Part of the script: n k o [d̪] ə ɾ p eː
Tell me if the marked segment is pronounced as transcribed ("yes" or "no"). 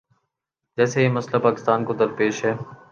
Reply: yes